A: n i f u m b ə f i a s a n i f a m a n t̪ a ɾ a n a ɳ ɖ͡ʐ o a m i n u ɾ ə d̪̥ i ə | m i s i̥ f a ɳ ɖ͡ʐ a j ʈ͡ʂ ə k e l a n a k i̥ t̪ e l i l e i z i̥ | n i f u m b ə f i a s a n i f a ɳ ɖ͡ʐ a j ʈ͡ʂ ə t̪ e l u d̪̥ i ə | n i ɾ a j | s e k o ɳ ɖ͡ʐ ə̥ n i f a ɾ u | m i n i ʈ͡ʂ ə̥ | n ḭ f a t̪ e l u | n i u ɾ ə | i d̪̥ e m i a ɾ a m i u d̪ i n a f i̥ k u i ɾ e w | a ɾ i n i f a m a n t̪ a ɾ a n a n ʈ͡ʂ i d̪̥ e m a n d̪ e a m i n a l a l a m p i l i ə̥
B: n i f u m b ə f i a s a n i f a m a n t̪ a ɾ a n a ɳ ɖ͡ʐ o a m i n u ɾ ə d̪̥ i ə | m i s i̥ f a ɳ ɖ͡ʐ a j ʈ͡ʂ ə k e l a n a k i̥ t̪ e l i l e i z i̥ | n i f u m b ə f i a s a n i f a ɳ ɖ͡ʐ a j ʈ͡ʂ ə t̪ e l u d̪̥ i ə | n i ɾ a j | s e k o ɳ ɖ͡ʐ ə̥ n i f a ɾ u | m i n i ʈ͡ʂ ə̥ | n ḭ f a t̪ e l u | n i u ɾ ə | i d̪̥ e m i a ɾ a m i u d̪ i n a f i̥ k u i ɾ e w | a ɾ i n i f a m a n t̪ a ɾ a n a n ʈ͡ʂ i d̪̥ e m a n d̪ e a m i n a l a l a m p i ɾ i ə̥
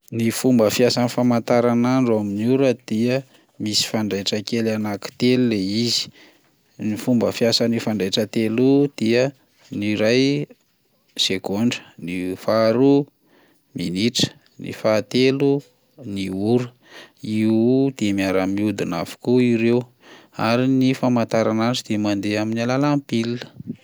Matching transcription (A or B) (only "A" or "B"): A